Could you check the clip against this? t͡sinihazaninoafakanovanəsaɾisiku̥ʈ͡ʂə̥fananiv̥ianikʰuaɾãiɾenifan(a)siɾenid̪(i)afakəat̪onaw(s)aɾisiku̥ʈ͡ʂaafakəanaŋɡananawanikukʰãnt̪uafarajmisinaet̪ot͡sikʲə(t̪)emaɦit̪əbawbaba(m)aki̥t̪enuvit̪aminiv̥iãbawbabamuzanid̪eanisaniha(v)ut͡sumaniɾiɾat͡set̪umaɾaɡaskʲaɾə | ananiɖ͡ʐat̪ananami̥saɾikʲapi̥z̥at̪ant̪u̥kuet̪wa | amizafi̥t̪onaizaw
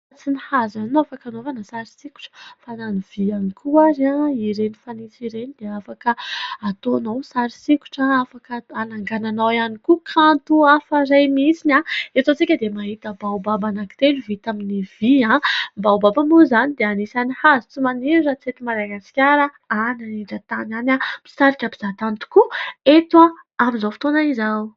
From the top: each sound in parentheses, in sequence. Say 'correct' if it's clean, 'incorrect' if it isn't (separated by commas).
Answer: incorrect, incorrect, correct, incorrect, incorrect, incorrect